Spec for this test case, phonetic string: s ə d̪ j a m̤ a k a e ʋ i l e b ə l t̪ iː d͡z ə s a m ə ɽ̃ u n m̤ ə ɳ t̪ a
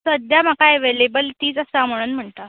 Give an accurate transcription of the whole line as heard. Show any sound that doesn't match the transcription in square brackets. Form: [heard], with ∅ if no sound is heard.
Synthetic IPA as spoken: s ə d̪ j a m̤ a k a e ʋ [e] l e b ə l t̪ iː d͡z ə s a m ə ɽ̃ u n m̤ ə ɳ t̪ a